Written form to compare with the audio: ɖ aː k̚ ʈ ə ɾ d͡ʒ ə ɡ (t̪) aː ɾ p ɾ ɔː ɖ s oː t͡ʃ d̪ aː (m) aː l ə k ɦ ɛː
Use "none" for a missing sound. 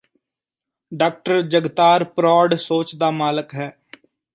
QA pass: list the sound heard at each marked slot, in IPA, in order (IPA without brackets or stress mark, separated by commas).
t̪, m